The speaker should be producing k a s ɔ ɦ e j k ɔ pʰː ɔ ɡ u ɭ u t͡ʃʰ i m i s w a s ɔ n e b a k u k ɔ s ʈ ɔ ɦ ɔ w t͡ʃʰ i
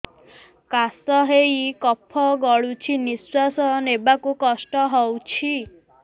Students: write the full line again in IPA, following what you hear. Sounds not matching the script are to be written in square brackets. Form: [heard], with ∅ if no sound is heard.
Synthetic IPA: k a s ɔ ɦ e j k ɔ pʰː ɔ ɡ [ɔ] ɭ u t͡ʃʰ i [n] i s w a s ɔ n e b a k u k ɔ s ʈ ɔ ɦ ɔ w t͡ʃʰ i